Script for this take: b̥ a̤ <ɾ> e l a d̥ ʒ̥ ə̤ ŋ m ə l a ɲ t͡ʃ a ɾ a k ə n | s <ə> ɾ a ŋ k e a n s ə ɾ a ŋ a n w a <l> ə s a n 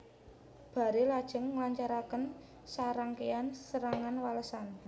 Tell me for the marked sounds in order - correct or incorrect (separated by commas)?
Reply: correct, incorrect, correct